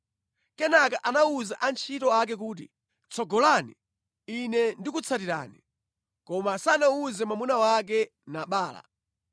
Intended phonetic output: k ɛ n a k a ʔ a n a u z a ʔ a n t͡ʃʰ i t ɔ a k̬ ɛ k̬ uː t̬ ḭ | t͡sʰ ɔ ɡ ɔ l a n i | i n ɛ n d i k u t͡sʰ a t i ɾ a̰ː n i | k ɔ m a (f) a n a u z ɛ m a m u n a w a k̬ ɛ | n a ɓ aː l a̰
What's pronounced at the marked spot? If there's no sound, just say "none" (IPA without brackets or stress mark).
s